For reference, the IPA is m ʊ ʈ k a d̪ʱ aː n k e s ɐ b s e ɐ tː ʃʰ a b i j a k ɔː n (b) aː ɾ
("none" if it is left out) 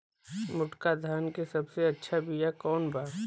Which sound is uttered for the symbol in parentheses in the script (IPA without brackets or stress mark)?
b